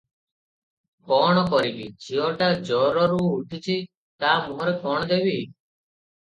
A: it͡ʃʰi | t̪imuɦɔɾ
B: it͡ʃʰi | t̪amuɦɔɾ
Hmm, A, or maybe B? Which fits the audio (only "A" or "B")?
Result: B